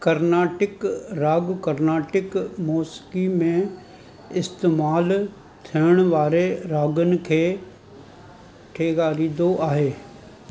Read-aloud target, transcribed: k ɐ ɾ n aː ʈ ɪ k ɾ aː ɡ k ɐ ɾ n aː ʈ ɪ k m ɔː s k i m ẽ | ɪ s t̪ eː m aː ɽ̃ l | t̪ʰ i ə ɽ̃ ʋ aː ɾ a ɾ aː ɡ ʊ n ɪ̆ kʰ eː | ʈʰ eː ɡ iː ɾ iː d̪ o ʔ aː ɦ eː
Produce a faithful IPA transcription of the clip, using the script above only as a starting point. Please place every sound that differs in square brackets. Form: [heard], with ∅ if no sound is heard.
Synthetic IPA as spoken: k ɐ ɾ n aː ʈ ɪ k ɾ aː ɡ k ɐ ɾ n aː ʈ ɪ k m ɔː s k i m ẽ | ɪ s t̪ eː m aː [∅] l | t̪ʰ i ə ɽ̃ ʋ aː ɾ [e] ɾ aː ɡ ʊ n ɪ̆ kʰ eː | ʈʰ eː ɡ [aː] ɾ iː d̪ o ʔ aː ɦ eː